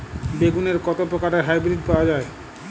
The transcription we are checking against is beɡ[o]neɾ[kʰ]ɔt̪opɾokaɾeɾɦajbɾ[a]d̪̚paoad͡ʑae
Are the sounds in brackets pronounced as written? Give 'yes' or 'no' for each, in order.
no, no, no

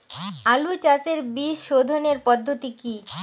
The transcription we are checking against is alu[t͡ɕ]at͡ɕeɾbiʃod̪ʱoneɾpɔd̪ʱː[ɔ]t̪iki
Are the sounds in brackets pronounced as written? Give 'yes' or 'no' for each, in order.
yes, no

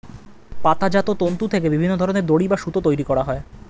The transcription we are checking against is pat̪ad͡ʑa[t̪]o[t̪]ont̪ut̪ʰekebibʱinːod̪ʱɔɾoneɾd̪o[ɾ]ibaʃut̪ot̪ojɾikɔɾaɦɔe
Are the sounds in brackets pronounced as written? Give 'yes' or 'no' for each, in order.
yes, yes, no

